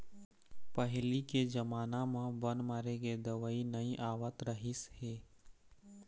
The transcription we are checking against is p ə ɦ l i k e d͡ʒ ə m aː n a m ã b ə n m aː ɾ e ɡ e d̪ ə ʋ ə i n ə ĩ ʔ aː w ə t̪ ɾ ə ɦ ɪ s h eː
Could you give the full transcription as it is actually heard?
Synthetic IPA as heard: p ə ɦ l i k e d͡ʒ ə m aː n a m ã b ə n m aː ɾ e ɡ e d̪ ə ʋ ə i n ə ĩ ʔ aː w ə t̪ ɾ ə ɦ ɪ s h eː